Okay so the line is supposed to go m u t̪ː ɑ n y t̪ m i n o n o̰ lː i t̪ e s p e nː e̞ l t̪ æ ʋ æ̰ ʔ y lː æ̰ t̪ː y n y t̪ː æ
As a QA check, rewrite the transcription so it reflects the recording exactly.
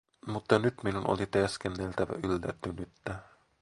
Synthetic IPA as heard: m u t̪ː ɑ n y t̪ m i n u n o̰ l i t̪ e s k e nː e̞ l t̪ æ ʋ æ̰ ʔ y lː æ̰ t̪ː y n y t̪ː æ